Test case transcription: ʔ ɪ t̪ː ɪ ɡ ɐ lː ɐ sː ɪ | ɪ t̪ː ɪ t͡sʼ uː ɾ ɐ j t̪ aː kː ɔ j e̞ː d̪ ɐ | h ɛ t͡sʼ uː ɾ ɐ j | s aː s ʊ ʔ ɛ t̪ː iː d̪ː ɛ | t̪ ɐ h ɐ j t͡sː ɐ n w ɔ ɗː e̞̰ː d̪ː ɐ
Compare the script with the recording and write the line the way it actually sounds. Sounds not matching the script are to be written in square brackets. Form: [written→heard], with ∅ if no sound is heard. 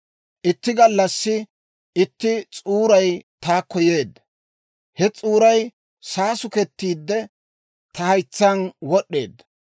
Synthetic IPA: ʔ ɪ t̪ː ɪ ɡ ɐ lː ɐ sː ɪ | ɪ t̪ː ɪ t͡sʼ uː ɾ ɐ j t̪ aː kː ɔ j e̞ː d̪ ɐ | h ɛ t͡sʼ uː ɾ ɐ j | s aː s ʊ [ʔ→k] ɛ t̪ː iː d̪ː ɛ | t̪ ɐ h ɐ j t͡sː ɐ n w ɔ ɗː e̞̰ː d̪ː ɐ